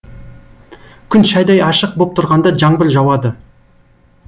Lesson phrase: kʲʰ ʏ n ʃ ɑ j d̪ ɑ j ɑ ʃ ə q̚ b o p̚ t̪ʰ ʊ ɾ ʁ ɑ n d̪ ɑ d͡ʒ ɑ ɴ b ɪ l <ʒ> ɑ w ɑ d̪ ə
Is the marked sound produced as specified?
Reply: yes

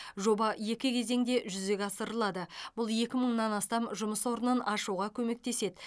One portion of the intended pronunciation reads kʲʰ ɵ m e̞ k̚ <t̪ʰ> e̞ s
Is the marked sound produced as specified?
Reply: no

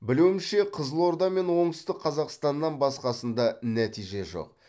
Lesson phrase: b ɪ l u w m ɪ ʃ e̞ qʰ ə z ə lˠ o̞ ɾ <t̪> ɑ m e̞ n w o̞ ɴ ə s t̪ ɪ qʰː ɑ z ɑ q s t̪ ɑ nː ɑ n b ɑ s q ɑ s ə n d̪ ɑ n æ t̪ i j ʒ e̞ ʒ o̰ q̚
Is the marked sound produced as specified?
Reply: no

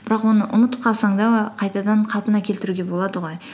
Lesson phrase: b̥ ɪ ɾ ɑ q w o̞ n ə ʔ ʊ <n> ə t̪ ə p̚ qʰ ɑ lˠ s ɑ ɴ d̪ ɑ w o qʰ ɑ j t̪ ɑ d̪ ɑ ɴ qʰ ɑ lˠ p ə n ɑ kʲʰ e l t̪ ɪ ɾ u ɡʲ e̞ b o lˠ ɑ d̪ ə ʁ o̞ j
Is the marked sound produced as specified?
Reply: yes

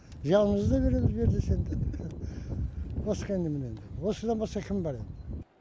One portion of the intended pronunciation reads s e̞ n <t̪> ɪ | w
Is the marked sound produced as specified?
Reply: no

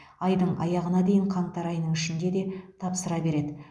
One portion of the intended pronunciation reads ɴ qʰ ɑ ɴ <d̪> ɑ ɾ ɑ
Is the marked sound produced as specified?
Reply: no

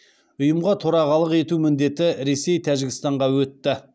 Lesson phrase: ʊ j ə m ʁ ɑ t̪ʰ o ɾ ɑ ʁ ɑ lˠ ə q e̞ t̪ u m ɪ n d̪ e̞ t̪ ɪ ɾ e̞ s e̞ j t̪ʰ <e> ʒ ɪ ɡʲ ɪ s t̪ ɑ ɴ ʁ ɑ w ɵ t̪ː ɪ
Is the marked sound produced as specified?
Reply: no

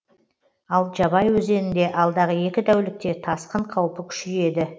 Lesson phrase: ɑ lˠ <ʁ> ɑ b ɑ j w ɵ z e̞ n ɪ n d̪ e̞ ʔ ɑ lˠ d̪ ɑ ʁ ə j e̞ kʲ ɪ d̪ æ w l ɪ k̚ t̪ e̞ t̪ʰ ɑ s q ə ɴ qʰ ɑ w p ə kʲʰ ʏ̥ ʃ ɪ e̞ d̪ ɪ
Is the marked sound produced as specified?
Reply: no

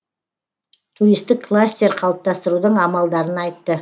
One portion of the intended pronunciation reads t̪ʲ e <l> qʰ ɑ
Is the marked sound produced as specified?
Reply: no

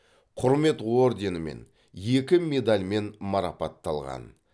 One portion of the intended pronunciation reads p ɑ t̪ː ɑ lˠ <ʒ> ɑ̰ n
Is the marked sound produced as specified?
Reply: no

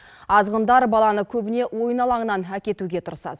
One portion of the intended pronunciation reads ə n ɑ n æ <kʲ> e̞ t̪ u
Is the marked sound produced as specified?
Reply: yes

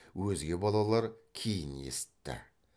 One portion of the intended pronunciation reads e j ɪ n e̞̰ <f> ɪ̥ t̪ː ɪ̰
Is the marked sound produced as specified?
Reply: no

